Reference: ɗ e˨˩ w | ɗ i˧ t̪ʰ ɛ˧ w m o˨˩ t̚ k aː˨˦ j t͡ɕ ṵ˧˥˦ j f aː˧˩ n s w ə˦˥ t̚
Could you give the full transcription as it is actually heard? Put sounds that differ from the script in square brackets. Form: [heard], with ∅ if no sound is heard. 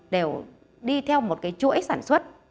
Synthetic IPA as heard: ɗ e˨˩ w | ɗ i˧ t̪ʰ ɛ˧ w m o˨˩ t̚ k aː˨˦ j t͡ɕ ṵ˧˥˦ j [s] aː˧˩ n s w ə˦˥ t̚